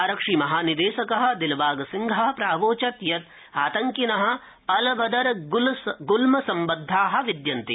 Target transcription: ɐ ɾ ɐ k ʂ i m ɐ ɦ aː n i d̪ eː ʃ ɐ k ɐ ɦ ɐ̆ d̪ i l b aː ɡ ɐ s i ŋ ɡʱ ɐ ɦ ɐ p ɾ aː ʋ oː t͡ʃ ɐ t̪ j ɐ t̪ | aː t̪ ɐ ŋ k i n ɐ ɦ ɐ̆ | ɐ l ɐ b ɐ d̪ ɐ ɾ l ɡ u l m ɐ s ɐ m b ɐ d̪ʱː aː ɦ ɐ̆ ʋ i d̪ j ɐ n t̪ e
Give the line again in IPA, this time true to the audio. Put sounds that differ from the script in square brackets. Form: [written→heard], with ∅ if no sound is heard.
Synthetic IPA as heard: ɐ ɾ ɐ k ʂ i m ɐ ɦ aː n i d̪ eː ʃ ɐ k ɐ ɦ ɐ̆ d̪ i l b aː ɡ ɐ s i ŋ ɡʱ ɐ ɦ ɐ p ɾ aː ʋ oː t͡ʃ ɐ t̪ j ɐ t̪ | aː t̪ ɐ ŋ k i n ɐ ɦ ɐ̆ | ɐ l ɐ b ɐ d̪ ɐ ɾ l ɡ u l m ɐ s ɐ m b ɐ d̪ʱː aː ɦ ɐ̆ ʋ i d̪ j ɐ n t̪ [e→i]